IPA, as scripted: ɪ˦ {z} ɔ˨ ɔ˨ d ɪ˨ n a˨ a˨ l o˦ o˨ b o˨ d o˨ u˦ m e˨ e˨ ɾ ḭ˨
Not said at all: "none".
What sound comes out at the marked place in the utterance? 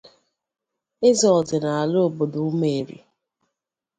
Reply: z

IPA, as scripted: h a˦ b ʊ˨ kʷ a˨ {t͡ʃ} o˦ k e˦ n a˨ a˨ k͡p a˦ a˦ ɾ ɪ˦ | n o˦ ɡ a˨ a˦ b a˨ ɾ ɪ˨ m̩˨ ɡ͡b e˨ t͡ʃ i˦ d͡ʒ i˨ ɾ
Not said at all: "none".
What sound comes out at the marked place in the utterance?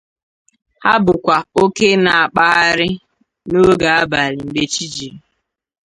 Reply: none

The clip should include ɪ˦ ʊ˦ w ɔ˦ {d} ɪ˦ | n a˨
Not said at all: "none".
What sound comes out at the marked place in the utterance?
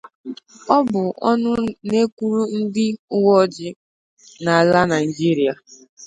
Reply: d͡ʒ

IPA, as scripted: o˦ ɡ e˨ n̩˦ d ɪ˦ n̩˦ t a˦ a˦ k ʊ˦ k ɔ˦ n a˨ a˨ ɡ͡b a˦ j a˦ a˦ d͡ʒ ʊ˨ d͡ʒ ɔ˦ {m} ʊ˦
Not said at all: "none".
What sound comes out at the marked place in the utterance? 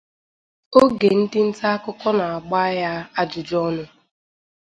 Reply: n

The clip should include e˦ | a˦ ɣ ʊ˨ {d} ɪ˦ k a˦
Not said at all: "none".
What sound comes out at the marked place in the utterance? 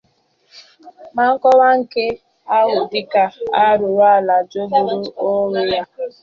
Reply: d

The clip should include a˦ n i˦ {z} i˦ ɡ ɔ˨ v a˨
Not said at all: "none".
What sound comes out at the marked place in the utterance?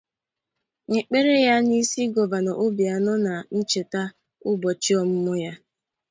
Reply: s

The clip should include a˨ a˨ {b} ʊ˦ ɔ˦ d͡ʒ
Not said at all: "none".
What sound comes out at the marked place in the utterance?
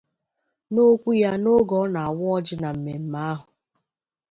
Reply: w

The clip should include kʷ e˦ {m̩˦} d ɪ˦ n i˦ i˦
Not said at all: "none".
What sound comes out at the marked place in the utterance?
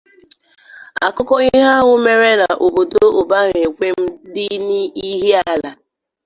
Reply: m̩˦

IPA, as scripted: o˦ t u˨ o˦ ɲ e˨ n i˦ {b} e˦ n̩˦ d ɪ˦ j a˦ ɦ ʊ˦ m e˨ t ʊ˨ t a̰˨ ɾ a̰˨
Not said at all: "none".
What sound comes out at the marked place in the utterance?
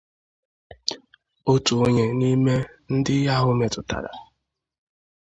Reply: m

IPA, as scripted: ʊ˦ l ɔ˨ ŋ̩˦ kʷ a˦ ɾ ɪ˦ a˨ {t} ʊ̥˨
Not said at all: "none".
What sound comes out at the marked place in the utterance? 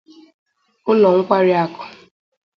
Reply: k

